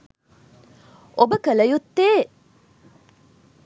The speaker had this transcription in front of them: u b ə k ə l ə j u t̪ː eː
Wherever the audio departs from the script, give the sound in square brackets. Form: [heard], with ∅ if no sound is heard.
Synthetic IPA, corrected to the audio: [o] b ə k ə l ə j u t̪ː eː